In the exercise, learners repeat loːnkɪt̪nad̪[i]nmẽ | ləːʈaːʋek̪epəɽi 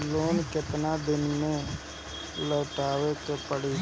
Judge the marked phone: incorrect: ɪ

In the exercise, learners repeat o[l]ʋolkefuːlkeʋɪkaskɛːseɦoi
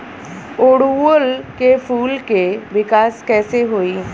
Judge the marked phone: incorrect: ɽ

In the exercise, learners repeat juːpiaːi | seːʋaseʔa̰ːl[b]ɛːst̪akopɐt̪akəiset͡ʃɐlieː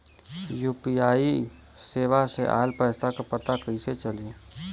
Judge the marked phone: incorrect: p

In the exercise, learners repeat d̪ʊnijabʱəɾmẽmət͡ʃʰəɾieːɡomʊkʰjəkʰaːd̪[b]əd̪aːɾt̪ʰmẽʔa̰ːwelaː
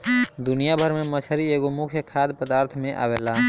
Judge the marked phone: incorrect: p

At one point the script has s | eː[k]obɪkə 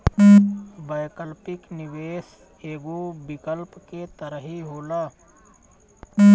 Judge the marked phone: incorrect: ɡ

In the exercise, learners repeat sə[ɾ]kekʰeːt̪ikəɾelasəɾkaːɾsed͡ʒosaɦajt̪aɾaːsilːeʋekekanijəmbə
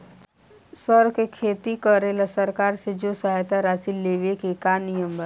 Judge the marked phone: correct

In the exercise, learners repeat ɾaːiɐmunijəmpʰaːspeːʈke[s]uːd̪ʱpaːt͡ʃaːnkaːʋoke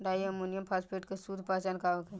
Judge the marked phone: correct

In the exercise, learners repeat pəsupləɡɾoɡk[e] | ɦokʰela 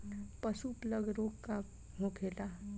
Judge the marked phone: incorrect: a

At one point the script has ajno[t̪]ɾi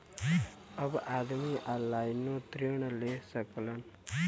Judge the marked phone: correct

